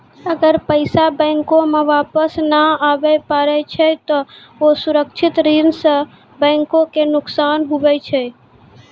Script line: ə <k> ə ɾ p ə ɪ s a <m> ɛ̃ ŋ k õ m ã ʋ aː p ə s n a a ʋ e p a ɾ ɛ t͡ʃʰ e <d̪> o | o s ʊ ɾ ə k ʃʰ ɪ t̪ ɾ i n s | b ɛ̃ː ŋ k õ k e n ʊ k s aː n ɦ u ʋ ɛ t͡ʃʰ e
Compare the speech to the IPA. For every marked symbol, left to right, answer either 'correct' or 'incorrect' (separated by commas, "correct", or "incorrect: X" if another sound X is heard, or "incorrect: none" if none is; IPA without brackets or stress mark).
incorrect: ɡ, incorrect: b, incorrect: t̪